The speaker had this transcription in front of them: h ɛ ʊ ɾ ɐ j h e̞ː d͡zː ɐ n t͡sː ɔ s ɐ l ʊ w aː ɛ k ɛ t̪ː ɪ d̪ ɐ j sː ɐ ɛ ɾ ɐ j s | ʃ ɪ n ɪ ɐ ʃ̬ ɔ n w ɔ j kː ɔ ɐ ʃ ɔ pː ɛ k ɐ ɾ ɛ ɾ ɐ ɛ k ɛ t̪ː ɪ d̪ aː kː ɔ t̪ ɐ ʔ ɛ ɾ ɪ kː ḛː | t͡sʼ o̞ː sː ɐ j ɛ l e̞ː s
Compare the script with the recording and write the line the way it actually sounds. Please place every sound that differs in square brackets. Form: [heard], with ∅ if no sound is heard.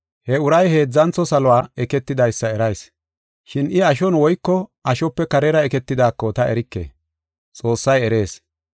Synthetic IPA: h ɛ ʊ ɾ ɐ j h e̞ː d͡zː ɐ n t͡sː ɔ s ɐ l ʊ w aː ɛ k ɛ t̪ː ɪ d̪ ɐ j sː ɐ ɛ ɾ ɐ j s | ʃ ɪ n ɪ ɐ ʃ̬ ɔ n w ɔ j kː ɔ ɐ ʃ ɔ pː ɛ k ɐ ɾ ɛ ɾ ɐ ɛ k ɛ t̪ː ɪ d̪ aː kː ɔ t̪ ɐ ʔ ɛ ɾ ɪ kː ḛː | t͡sʼ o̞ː sː ɐ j ɛ [ɾ] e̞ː s